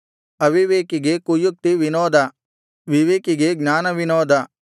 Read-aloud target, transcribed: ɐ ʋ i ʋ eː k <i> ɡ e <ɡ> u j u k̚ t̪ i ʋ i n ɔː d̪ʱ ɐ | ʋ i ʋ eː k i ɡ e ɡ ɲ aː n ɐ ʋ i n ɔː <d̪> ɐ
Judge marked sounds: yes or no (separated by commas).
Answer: yes, no, yes